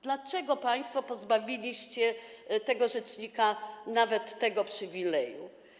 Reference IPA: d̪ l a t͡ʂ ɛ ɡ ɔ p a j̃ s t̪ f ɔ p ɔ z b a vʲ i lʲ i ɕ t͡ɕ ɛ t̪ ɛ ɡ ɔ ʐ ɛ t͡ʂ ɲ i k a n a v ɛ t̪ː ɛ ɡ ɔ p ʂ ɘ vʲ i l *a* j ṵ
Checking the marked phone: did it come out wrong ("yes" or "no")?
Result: yes